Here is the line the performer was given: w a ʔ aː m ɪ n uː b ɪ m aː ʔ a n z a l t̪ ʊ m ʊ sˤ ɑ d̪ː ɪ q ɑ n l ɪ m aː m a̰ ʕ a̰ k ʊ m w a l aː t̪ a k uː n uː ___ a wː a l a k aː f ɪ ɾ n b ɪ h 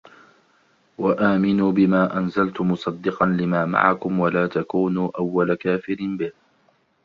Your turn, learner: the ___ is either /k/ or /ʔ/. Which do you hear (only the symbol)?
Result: ʔ